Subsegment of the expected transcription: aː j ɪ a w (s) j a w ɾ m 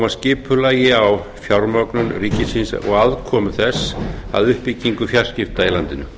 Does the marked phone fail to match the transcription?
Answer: yes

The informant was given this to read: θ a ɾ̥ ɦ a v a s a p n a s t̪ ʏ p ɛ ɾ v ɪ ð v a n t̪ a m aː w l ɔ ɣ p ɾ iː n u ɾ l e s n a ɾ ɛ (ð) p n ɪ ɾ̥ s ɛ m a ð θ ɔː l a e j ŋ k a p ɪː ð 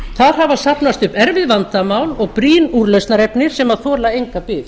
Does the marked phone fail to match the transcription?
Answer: yes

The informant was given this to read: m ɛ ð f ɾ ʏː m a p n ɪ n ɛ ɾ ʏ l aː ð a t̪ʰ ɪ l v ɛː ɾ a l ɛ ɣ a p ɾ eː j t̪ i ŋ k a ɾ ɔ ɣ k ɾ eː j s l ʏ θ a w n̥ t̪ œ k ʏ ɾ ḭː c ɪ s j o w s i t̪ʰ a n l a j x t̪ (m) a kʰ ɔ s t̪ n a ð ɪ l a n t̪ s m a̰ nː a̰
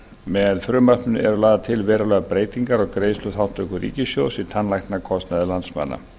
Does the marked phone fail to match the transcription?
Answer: yes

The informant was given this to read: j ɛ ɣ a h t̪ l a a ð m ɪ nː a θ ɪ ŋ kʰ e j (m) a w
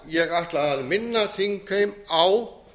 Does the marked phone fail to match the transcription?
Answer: no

